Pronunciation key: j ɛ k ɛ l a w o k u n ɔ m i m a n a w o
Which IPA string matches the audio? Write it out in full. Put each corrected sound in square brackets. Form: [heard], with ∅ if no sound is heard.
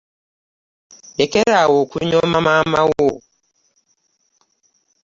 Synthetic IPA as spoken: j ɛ k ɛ [ɾ] a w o k u [ɲ] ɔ m [a] m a [m] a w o